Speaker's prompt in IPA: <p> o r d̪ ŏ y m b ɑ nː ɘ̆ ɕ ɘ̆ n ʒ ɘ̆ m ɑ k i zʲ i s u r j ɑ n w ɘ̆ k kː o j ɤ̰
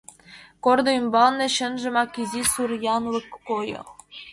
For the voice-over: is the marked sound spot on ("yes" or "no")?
no